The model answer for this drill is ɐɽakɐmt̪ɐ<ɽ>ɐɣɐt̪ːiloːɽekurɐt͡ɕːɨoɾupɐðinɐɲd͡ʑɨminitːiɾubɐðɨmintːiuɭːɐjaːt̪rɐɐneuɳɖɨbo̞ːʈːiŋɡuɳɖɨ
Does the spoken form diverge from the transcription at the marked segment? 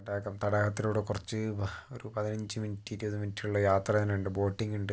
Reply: no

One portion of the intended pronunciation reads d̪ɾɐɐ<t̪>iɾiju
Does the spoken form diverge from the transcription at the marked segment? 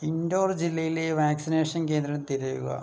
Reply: no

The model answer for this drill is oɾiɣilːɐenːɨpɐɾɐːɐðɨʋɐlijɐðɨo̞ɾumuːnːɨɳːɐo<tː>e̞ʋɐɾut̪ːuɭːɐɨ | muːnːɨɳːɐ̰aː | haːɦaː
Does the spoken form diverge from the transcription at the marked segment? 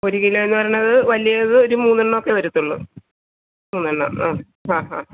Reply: yes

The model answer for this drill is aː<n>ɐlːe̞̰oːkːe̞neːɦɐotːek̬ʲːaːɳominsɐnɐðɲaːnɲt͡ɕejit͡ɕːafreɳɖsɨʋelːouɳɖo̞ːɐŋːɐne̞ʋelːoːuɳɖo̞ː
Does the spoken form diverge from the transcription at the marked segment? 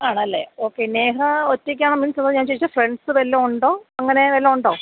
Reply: yes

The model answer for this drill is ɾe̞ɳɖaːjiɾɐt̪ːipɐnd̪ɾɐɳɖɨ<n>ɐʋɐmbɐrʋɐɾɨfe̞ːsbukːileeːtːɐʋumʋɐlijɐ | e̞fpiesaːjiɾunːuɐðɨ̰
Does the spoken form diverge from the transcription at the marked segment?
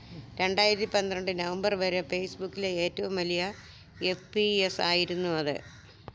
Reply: no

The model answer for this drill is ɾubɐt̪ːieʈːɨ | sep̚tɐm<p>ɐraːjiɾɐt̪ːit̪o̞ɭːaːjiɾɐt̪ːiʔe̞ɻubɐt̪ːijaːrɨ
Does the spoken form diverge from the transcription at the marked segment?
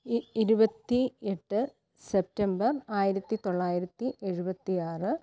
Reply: yes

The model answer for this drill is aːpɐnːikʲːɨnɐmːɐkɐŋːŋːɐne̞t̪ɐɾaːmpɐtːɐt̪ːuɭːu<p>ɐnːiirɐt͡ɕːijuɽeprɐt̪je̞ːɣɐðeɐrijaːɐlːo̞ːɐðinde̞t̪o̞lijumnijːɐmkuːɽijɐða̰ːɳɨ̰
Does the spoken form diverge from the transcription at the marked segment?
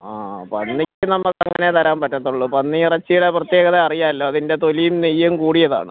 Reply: no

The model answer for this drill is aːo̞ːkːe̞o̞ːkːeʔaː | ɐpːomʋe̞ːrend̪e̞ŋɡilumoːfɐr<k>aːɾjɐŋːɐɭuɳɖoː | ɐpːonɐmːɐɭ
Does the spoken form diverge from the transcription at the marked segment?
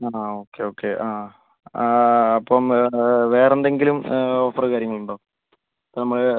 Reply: no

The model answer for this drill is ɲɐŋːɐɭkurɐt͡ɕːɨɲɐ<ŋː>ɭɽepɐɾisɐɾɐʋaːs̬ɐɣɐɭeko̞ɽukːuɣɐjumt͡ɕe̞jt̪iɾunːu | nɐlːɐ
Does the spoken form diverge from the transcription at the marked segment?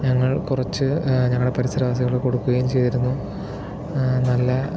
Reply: no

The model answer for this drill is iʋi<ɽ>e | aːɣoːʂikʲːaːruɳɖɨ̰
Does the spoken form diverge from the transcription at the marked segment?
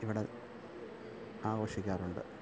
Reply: no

